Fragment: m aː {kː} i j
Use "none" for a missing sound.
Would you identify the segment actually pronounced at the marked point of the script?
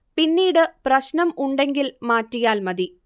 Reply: tː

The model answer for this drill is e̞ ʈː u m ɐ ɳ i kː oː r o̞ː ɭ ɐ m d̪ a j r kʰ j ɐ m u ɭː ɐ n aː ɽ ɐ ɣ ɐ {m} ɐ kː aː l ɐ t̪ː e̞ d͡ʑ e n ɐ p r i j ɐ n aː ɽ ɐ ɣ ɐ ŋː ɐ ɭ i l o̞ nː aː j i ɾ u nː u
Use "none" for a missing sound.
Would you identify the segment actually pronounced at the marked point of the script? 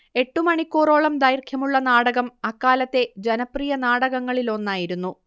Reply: m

